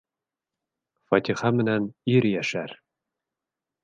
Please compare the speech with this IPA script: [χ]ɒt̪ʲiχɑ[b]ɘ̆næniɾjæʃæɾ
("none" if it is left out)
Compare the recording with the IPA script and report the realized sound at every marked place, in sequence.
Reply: f, m

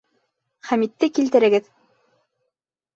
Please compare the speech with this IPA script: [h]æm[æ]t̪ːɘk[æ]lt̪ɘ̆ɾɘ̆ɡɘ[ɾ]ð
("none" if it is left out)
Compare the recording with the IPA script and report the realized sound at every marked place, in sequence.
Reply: χ, i, i, none

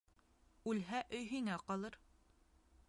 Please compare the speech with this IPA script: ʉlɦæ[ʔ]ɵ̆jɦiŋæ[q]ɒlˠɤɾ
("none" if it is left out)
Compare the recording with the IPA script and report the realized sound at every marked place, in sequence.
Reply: ʔ, q

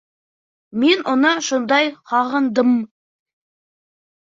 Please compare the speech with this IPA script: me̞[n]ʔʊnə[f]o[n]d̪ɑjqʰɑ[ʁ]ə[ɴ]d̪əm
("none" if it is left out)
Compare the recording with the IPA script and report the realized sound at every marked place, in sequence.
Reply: n, ʃ, n, ʁ, n

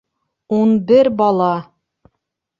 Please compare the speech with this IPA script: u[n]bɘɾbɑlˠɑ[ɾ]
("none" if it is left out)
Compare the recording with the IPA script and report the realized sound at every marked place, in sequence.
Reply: n, none

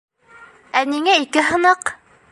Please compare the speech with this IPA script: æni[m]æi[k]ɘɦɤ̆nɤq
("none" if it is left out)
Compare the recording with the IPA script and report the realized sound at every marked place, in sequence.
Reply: ŋ, k

